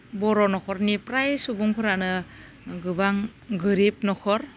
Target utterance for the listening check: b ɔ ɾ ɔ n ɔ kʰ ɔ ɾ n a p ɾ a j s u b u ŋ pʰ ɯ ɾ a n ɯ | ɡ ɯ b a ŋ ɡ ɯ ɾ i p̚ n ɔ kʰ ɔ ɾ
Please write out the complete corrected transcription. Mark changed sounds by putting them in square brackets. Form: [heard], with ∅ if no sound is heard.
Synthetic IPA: b ɔ ɾ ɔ n ɔ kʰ ɔ ɾ n [i] p ɾ a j s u b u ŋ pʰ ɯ ɾ a n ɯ | ɡ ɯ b a ŋ ɡ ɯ ɾ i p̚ n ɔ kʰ ɔ ɾ